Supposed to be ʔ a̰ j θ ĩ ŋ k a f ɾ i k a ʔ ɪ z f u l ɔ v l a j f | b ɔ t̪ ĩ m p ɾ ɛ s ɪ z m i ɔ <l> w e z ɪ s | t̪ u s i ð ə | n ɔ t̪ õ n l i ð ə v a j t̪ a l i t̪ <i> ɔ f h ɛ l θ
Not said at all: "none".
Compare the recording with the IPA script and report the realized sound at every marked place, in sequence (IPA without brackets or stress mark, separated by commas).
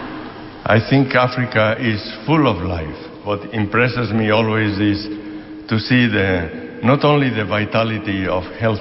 l, i